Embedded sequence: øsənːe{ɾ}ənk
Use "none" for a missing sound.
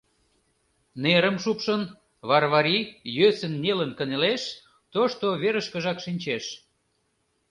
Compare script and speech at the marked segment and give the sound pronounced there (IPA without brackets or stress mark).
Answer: l